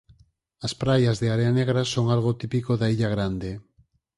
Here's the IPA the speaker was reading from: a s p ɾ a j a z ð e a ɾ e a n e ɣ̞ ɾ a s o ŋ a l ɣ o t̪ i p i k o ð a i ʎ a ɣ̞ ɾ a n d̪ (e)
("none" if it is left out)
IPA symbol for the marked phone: e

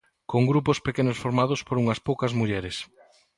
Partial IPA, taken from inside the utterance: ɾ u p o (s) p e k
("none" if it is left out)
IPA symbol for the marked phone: s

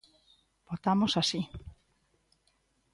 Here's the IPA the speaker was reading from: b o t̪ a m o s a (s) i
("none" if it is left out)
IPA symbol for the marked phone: s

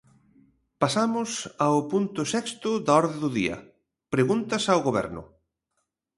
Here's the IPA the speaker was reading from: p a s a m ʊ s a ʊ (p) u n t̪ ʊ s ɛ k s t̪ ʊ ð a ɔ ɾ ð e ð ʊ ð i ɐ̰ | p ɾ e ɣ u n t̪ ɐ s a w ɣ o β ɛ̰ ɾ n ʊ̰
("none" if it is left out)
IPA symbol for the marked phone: p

